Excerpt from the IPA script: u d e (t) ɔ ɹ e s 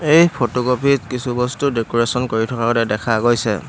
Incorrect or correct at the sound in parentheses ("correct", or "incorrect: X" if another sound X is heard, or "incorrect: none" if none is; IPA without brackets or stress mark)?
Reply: incorrect: k